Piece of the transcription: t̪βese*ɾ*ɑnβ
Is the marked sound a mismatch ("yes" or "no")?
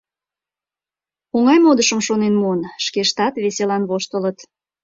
yes